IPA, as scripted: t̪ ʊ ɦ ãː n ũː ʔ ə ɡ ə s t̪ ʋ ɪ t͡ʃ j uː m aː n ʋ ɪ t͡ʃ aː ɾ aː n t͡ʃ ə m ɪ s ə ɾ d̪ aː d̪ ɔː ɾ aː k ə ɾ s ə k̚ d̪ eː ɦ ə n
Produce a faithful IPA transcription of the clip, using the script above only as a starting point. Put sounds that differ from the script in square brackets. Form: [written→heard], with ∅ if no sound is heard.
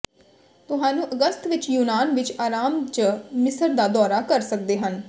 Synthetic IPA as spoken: t̪ ʊ ɦ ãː n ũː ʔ ə ɡ ə s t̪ ʋ ɪ t͡ʃ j uː [m→n] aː n ʋ ɪ t͡ʃ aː ɾ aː [n→m] t͡ʃ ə m ɪ s ə ɾ d̪ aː d̪ ɔː ɾ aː k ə ɾ s ə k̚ d̪ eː ɦ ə n